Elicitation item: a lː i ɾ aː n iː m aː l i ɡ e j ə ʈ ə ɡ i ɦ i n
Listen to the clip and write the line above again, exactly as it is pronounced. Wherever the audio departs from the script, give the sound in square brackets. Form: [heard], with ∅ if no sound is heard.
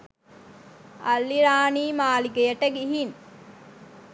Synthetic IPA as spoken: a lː i ɾ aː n iː m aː l i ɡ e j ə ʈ ə ɡ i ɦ i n